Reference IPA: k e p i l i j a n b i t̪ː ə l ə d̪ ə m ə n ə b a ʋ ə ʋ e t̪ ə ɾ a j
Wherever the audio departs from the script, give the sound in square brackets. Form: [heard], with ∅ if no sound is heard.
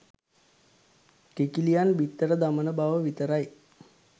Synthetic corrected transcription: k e [k] i l i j a n b i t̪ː ə [ɾ] ə d̪ [a] m ə n ə b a ʋ ə ʋ [i] t̪ ə ɾ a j